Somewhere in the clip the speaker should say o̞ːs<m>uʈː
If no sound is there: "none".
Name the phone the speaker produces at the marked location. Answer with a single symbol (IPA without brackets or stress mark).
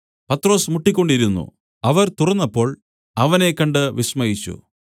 m